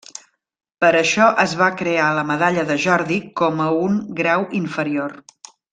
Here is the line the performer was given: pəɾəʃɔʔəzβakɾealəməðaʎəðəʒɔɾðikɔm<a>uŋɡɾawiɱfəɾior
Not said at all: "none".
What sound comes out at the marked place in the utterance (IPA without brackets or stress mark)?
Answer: ə